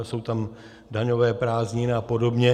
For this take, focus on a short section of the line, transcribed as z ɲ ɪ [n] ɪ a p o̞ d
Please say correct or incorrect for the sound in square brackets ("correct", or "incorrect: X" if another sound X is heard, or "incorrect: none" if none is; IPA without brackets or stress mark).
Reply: correct